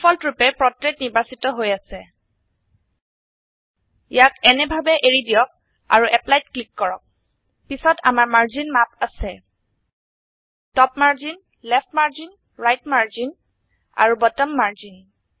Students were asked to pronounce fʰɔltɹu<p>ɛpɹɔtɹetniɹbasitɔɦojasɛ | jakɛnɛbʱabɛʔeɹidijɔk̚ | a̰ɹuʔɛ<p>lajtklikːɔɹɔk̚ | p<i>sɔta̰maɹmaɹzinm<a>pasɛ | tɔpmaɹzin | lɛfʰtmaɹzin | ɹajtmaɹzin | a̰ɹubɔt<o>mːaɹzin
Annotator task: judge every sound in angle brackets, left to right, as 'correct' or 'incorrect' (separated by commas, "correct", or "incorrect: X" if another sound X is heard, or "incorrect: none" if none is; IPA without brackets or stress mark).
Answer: correct, correct, correct, correct, incorrect: ɔ